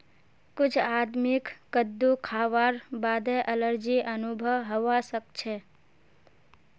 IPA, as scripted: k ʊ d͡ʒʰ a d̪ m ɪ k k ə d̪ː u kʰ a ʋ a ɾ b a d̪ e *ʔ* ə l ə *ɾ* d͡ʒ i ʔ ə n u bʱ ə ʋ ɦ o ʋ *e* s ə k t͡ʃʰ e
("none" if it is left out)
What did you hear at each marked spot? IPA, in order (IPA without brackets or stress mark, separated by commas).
ʔ, ɾ, a